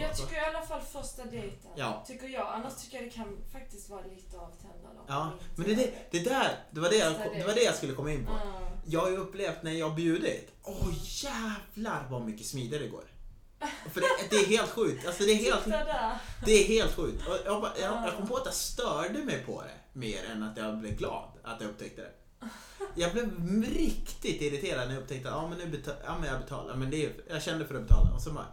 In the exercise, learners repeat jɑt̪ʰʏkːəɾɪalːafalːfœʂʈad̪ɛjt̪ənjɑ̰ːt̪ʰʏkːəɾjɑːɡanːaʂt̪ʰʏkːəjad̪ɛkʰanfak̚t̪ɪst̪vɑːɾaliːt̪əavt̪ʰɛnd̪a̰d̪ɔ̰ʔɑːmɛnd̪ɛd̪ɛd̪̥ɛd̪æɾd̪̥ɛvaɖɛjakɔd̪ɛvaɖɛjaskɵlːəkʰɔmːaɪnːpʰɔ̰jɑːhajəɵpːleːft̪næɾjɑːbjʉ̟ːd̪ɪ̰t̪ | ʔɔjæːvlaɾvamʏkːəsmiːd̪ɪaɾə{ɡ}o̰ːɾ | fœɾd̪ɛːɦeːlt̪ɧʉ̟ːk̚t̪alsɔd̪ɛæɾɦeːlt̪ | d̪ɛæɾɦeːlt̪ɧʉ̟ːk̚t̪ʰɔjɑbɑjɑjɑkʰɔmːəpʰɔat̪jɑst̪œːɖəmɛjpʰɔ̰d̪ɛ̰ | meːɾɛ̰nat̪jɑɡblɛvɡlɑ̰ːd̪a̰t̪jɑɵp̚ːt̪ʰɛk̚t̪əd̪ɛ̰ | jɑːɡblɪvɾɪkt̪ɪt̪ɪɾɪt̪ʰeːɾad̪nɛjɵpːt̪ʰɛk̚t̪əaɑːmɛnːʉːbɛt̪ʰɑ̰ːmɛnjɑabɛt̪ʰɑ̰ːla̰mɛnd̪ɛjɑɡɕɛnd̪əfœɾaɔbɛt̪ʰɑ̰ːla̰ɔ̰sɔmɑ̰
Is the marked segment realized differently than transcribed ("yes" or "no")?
no